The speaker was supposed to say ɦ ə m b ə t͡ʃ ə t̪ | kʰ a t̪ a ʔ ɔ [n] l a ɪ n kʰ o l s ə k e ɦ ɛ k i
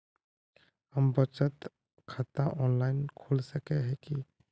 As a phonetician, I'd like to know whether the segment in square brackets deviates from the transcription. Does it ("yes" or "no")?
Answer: no